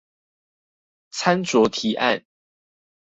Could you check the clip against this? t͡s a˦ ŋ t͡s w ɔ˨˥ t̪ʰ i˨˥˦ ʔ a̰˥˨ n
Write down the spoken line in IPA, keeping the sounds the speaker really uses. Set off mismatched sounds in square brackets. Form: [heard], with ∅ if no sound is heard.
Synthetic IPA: [t͡sʰ] a˦ [n] t͡s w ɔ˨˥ t̪ʰ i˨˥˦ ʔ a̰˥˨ n

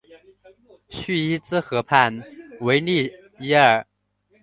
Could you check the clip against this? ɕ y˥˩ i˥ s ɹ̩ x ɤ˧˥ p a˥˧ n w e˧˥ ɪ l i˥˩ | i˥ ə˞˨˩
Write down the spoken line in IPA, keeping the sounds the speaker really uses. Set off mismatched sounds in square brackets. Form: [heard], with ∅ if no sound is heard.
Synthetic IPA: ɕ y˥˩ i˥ [t͡s] ɹ̩ x ɤ˧˥ [pʰ] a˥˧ n w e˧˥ ɪ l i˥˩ | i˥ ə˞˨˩

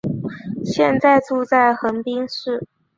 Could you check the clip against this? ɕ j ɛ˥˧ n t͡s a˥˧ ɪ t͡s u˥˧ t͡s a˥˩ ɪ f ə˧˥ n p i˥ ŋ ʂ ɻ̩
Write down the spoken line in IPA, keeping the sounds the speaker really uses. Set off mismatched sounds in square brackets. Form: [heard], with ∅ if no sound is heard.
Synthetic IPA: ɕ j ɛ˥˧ n t͡s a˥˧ ɪ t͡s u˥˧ t͡s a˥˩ ɪ [x] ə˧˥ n p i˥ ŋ ʂ ɻ̩

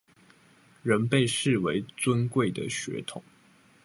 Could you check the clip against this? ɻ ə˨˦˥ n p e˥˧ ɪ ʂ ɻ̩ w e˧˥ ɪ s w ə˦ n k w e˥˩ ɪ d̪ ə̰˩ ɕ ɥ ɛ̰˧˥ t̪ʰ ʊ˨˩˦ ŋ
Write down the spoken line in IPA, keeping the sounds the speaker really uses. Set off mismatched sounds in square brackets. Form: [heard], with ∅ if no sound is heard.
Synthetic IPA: ɻ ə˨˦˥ n p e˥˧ ɪ ʂ ɻ̩ w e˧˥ ɪ [t͡s] w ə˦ n k w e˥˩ ɪ d̪ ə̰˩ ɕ ɥ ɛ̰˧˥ t̪ʰ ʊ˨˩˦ ŋ

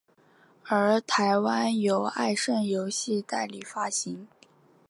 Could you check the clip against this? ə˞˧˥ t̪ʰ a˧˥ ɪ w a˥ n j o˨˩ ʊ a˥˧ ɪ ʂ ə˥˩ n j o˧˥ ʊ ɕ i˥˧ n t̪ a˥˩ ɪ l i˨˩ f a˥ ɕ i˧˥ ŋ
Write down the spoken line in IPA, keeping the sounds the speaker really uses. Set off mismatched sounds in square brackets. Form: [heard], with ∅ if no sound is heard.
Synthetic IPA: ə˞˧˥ t̪ʰ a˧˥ ɪ w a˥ n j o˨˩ ʊ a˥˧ ɪ ʂ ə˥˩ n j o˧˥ ʊ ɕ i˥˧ [∅] t̪ a˥˩ ɪ l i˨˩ f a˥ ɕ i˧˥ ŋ

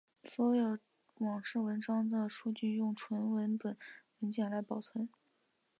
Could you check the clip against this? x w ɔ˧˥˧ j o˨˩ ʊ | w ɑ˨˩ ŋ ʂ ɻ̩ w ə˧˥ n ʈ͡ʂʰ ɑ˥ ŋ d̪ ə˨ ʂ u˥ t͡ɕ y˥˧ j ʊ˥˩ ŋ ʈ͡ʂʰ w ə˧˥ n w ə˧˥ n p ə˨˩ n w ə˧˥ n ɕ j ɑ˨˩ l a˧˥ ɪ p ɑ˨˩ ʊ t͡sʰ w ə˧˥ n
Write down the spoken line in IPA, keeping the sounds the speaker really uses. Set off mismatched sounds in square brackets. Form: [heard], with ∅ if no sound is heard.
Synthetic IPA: [s] w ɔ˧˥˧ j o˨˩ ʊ | w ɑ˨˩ ŋ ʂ ɻ̩ w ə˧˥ n [ʈ͡ʂ] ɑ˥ ŋ d̪ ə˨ ʂ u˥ t͡ɕ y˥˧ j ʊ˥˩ ŋ ʈ͡ʂʰ w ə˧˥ n w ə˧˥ n p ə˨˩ n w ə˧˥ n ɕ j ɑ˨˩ l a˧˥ ɪ p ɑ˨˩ ʊ t͡sʰ w ə˧˥ n

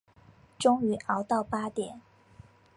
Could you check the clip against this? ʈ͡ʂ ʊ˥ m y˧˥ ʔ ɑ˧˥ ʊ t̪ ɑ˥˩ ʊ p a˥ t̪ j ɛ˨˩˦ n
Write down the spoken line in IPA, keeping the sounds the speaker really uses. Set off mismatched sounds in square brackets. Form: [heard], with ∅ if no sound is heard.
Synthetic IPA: ʈ͡ʂ ʊ˥ [ŋ] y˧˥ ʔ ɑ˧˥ ʊ t̪ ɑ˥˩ ʊ p a˥ t̪ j ɛ˨˩˦ n

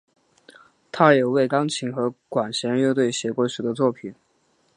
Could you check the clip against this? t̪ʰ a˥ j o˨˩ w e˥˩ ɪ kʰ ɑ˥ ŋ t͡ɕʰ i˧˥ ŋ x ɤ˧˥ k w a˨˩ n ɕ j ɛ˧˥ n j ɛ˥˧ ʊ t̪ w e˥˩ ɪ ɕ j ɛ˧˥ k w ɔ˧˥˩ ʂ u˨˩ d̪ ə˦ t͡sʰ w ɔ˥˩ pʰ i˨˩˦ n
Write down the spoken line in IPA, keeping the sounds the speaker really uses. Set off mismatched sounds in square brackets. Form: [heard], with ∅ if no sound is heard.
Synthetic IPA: t̪ʰ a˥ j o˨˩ w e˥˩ ɪ [k] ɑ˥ ŋ t͡ɕʰ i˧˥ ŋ x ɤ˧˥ k w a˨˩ n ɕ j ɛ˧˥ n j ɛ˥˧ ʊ t̪ w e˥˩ ɪ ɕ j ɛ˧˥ k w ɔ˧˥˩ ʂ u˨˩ d̪ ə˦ [t͡s] w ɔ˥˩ pʰ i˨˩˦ n

